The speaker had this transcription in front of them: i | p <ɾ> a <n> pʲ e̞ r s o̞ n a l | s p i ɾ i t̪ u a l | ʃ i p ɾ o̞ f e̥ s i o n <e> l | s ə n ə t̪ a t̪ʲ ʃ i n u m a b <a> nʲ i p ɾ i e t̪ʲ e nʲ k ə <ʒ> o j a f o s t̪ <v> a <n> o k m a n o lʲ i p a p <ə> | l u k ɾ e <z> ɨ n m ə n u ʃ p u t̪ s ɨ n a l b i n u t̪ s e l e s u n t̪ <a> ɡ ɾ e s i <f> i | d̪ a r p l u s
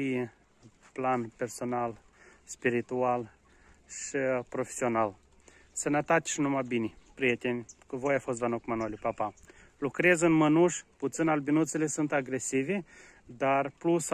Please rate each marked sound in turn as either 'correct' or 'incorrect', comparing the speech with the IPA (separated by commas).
incorrect, correct, incorrect, incorrect, incorrect, correct, correct, incorrect, correct, correct, incorrect